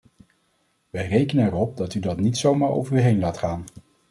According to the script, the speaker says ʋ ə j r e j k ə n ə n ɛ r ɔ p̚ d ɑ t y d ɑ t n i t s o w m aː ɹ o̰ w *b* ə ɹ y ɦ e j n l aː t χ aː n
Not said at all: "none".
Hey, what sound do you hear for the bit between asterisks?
v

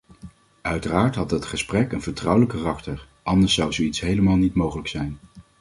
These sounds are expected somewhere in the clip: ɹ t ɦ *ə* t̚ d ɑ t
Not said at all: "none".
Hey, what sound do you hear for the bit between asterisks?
ɑ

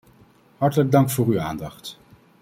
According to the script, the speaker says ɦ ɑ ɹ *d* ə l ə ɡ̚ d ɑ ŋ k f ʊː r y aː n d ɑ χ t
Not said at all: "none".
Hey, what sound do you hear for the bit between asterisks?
t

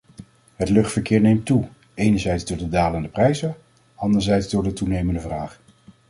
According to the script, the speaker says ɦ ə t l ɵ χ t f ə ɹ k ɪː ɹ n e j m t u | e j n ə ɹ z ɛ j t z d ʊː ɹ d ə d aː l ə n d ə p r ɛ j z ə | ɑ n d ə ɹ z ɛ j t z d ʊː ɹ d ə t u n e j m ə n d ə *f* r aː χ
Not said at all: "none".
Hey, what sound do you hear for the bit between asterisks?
v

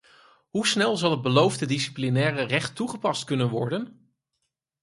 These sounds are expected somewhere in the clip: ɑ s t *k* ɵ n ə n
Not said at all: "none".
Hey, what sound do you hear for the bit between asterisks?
k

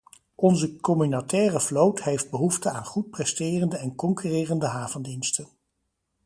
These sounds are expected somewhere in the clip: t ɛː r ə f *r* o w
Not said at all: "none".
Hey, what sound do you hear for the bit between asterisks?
l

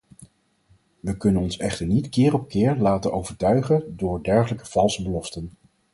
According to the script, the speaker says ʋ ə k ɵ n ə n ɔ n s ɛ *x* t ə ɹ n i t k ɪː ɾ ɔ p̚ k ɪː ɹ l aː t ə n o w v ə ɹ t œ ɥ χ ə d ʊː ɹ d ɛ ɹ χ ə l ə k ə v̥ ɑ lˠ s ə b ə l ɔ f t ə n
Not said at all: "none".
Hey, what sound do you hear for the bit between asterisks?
χ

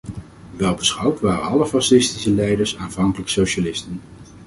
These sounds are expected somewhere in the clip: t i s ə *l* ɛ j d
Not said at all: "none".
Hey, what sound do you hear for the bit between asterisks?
l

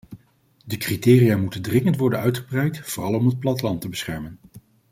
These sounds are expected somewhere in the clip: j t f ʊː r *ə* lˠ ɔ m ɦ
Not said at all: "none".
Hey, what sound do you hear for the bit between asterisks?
ɑ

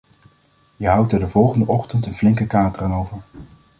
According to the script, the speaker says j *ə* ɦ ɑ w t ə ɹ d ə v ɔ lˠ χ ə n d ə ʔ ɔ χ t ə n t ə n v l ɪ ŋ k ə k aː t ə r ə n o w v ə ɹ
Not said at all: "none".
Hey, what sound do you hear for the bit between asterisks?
ə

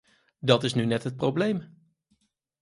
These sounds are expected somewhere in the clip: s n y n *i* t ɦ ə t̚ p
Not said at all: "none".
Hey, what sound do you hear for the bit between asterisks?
ɛ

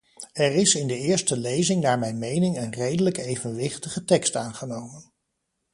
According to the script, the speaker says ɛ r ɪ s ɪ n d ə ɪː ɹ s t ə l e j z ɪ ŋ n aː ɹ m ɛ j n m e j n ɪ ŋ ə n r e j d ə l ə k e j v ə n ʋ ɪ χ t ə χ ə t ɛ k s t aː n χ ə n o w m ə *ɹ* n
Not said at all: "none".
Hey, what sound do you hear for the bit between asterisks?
none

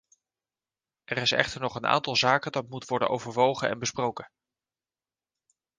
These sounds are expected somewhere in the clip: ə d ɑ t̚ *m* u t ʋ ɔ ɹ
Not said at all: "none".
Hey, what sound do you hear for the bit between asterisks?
m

